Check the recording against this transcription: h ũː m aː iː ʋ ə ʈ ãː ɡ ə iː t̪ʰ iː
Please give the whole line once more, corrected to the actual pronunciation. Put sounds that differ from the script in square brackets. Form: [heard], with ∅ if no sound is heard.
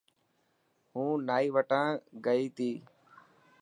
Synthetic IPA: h ũː [n] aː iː ʋ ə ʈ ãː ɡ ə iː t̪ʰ iː